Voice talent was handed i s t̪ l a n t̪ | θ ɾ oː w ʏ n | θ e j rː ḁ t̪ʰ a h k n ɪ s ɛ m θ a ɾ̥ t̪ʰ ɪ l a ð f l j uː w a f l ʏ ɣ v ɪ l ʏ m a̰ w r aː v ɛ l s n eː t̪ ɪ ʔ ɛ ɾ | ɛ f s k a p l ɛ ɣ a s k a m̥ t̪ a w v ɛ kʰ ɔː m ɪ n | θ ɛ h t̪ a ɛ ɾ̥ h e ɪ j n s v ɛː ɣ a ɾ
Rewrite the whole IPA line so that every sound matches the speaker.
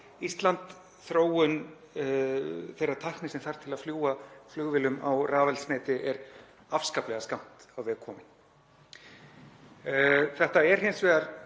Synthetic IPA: i s t̪ l a n t̪ | θ ɾ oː w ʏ n | θ e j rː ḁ t̪ʰ a h k n ɪ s ɛ m θ a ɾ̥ t̪ʰ ɪ l a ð f l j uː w a f l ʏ ɣ v ɪ l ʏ m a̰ w r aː v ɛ l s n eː t̪ ɪ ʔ ɛ ɾ | a f s k a p l ɛ ɣ a s k a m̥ t̪ a w v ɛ kʰ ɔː m ɪ n | θ ɛ h t̪ a ɛ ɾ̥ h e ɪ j n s v ɛː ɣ a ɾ